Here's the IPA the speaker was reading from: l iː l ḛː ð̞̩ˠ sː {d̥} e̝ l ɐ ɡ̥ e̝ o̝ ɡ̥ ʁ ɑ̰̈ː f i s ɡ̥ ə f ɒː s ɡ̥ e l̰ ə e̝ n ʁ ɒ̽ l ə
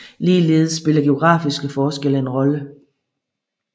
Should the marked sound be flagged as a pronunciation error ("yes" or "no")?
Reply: yes